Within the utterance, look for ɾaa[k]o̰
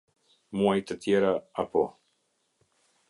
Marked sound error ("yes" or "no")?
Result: yes